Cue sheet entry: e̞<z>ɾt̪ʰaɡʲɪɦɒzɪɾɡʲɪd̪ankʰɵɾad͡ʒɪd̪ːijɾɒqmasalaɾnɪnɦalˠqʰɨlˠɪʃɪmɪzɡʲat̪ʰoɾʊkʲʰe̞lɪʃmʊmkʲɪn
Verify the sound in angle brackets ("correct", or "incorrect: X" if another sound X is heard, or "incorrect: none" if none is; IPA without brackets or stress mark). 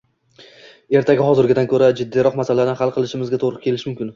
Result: incorrect: none